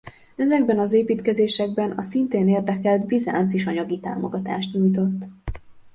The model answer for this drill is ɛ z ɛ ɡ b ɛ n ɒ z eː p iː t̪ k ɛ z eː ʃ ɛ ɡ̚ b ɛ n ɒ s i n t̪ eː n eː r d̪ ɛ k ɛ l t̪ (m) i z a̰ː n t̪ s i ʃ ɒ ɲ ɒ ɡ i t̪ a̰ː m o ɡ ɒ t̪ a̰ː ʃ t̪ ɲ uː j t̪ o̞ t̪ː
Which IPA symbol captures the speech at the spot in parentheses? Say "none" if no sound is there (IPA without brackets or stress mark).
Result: b